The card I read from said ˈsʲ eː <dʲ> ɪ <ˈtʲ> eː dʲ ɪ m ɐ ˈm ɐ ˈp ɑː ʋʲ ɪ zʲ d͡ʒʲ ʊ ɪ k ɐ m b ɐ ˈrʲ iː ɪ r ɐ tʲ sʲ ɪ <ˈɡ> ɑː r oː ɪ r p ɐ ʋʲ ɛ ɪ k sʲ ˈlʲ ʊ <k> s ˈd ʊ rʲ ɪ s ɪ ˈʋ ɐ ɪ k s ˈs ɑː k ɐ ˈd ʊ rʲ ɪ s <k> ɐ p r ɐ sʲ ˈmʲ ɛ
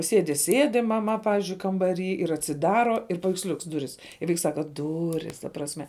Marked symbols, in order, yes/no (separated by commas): yes, no, no, yes, no